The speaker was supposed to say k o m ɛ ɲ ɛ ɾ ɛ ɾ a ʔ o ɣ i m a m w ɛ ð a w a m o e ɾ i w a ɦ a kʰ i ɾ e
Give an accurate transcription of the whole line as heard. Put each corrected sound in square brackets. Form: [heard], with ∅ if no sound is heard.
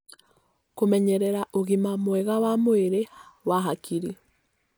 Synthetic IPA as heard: k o m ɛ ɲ ɛ ɾ ɛ ɾ a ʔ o ɣ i m a m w ɛ [ɣ] a w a m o e ɾ [e] w a ɦ a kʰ i ɾ [i]

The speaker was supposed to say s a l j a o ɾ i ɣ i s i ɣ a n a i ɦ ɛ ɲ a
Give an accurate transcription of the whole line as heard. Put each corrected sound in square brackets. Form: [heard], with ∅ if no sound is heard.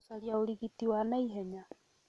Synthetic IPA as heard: s a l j a o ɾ i ɣ i [t] i [w] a n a i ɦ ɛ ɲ a

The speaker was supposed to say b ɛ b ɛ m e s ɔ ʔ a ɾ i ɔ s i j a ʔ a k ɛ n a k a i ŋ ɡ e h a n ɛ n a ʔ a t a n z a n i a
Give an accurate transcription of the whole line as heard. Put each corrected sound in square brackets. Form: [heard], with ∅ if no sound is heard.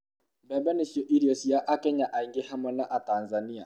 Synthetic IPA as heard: b ɛ b ɛ [n] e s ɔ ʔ [i] ɾ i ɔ s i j a ʔ a k ɛ [ɲ] a [ʔ] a i ŋ ɡ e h a [m] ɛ n a ʔ a t a n z a n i a

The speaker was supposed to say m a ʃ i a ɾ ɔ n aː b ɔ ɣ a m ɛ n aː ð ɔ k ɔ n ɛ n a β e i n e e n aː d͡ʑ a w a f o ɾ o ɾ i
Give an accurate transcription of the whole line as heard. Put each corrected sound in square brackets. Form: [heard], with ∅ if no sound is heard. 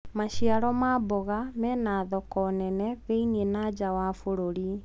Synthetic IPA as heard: m a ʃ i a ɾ ɔ [m] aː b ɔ ɣ a m ɛ n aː ð ɔ k ɔ n ɛ n [ɛ] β e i n [i] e n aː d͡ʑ a w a f o ɾ o ɾ i

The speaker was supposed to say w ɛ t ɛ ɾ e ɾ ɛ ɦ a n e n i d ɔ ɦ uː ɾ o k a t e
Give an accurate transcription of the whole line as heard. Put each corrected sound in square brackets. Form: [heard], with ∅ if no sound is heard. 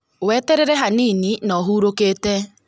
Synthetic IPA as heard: w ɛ t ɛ ɾ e ɾ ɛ ɦ a n [i] n i [n] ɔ ɦ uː ɾ o k [e] t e

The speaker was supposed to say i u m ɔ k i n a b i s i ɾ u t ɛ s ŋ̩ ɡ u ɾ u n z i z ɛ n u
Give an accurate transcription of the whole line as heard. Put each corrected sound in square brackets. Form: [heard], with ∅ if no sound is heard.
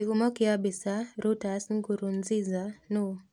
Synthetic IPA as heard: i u m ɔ k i [∅] a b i s [a] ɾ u t [a] s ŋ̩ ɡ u ɾ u n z i z [a] n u

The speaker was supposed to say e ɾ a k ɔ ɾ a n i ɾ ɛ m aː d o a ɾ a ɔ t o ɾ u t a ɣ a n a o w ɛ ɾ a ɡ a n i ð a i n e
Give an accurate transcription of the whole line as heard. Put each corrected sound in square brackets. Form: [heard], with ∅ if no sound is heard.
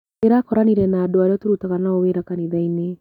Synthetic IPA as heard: e ɾ a k ɔ ɾ a n i ɾ ɛ [n] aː d o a ɾ [e] ɔ t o ɾ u t a ɣ a n a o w [e] ɾ a [k] a n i ð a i n e

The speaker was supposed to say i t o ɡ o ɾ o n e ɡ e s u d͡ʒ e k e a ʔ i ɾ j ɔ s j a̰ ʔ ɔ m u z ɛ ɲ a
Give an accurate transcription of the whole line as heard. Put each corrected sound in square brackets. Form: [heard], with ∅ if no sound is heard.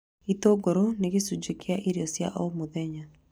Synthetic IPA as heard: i t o ɡ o ɾ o n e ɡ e s u d͡ʒ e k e a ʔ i ɾ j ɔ s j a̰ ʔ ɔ m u [ð] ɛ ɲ a

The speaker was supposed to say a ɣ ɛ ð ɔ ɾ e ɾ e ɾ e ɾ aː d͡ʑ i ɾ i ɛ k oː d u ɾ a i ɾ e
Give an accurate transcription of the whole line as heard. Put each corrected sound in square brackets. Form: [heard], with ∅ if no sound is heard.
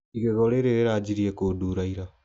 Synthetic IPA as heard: [i] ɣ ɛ [ɣ] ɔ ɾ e ɾ e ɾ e ɾ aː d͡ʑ i ɾ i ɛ k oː d u ɾ a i ɾ [a]

